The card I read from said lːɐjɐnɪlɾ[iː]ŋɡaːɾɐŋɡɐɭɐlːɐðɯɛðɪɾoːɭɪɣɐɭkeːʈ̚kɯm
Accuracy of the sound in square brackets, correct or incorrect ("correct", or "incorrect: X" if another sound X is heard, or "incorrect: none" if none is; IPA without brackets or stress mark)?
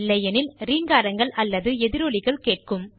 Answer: correct